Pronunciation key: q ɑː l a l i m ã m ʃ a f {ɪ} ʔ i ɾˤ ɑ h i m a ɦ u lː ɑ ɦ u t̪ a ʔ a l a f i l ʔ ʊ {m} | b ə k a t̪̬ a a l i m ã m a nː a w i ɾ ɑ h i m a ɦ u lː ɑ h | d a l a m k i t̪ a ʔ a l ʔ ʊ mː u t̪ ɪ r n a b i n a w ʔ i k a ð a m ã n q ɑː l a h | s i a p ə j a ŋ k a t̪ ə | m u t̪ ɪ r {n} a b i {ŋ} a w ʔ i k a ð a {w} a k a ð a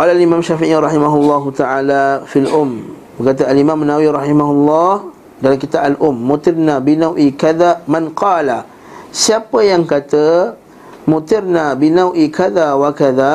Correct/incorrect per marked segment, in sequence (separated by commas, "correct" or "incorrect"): incorrect, correct, correct, incorrect, correct